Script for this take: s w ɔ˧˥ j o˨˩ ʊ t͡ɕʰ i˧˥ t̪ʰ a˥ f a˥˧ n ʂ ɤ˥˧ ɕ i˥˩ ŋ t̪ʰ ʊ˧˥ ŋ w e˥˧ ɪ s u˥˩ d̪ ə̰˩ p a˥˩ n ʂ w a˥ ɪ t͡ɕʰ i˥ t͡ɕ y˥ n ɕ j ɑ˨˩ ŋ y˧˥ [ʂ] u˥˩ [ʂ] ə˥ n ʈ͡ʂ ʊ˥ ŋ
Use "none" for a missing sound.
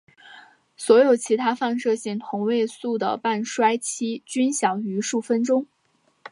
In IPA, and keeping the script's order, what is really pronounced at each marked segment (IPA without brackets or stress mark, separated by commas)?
ʂ, f